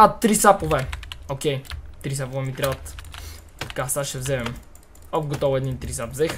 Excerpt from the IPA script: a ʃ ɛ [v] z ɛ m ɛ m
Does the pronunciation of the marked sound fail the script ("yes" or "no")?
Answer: no